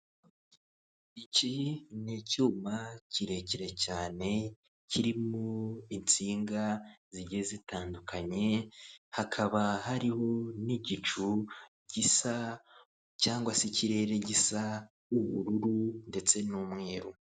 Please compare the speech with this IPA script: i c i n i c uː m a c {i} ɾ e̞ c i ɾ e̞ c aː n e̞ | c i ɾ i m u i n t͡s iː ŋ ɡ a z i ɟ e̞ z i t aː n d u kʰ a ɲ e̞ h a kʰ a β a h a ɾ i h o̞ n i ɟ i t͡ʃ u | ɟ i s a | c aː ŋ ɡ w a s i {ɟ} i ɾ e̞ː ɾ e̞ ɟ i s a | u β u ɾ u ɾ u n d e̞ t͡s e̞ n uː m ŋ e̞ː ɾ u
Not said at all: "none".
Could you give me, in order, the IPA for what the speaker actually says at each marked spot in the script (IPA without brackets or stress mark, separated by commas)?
i, c